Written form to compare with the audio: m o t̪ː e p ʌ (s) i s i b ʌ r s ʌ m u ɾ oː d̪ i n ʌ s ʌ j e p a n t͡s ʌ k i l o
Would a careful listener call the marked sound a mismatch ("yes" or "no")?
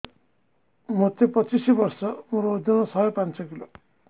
yes